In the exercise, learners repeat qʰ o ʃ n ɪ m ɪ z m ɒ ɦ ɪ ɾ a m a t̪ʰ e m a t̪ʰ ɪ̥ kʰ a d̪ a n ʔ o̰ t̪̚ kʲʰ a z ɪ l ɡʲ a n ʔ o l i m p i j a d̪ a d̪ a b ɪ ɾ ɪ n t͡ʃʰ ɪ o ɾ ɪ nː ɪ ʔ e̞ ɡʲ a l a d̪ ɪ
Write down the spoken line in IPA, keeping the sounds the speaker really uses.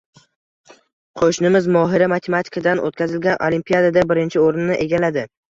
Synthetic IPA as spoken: qʰ o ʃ n ɪ m ɪ z m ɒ ɦ ɪ ɾ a m a t̪ʰ e m a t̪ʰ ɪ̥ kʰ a d̪ a n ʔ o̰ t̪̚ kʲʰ a z ɪ l ɡʲ a n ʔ o l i m p i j a d̪ a d̪ a b ɪ ɾ ɪ n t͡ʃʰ ɪ o ɾ ɪ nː ɪ ʔ e̞ ɡʲ a l a d̪ ɪ